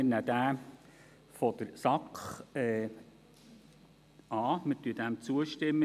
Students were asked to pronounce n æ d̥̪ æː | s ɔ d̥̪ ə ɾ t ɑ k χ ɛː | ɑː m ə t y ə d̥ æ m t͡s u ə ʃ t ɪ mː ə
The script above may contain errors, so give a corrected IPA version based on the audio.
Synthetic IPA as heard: n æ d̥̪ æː | f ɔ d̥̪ ə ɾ s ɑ k χ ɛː | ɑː m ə t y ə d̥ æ m t͡s u ə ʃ t ɪ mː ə